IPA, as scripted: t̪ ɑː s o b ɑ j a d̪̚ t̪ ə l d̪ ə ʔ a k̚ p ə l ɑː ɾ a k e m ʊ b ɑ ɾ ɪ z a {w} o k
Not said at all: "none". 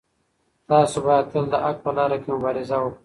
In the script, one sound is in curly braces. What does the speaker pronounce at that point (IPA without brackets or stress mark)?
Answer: w